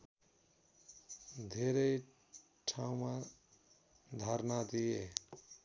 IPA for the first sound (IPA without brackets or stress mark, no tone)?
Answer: d̪ʱ